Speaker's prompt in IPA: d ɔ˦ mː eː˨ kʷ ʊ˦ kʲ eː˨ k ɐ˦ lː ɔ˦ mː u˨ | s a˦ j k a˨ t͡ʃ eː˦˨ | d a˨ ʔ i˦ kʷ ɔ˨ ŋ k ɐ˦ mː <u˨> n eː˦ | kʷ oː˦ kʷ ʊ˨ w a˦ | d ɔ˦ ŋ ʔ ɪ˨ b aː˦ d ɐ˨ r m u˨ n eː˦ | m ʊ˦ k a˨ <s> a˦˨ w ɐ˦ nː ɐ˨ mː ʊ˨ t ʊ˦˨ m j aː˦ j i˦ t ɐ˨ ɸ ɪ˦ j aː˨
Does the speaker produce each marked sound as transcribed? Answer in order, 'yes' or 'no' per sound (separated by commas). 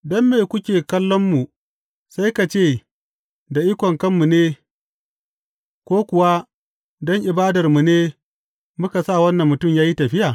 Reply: yes, yes